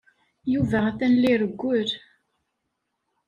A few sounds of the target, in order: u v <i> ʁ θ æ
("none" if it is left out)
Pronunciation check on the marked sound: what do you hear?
æ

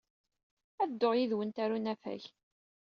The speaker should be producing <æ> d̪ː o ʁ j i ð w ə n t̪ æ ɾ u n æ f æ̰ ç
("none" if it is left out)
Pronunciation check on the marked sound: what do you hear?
æ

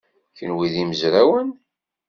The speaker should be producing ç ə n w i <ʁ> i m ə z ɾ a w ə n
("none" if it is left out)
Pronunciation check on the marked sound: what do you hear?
ð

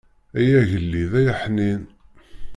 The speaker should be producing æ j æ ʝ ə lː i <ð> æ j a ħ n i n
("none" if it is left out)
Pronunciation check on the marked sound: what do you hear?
ð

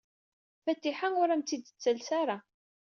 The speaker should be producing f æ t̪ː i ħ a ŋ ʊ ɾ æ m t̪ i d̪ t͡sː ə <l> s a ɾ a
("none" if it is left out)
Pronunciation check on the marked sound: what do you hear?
l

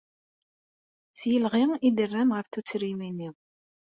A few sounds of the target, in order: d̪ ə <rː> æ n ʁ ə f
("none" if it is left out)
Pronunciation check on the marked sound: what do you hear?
rː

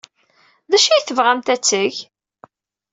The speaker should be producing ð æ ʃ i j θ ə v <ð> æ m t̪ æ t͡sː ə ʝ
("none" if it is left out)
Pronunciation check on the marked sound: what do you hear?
ʁ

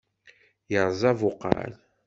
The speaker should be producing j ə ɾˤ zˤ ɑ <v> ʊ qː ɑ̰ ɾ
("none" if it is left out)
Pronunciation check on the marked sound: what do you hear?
v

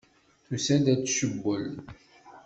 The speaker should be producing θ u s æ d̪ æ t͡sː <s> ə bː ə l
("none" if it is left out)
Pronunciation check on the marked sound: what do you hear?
ʃ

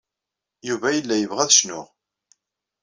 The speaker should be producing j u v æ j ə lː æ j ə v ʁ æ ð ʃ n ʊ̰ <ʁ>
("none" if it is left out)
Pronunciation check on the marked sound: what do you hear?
ʁ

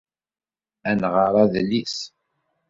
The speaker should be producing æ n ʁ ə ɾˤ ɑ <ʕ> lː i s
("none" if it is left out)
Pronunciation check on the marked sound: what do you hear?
ð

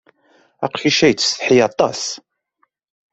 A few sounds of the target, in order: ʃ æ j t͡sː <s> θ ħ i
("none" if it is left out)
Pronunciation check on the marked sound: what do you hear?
s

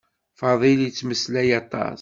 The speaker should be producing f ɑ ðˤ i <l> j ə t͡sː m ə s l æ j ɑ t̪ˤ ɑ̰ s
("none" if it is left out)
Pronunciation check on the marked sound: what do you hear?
l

